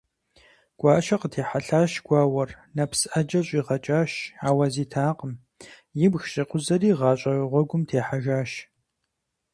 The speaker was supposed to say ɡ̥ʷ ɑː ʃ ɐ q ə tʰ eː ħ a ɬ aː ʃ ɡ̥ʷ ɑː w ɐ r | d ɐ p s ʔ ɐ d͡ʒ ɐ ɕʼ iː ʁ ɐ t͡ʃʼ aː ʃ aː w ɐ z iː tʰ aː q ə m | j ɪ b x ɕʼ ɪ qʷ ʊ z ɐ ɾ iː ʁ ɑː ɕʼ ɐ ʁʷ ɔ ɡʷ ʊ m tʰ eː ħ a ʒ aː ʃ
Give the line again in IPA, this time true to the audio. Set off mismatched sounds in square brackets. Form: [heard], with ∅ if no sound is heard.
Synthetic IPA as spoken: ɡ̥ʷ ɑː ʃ ɐ q ə tʰ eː ħ a ɬ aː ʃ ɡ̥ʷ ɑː w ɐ r | [n] ɐ p s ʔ ɐ d͡ʒ ɐ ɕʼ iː ʁ ɐ t͡ʃʼ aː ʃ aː w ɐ z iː tʰ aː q ə m | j ɪ b x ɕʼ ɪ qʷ ʊ z ɐ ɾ iː ʁ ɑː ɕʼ ɐ ʁʷ ɔ ɡʷ ʊ m tʰ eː ħ a ʒ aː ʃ